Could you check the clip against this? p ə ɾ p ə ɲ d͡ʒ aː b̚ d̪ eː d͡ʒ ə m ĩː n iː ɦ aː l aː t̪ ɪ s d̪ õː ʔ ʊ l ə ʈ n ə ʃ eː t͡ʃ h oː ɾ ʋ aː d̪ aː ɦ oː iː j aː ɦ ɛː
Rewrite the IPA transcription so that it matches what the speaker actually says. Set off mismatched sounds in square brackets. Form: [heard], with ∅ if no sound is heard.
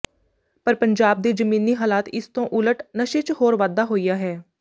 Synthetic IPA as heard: p ə ɾ p ə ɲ d͡ʒ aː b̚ d̪ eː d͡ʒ ə m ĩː n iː ɦ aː l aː t̪ ɪ s [t̪] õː ʔ ʊ l ə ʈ n ə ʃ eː t͡ʃ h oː ɾ ʋ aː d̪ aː ɦ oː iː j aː ɦ ɛː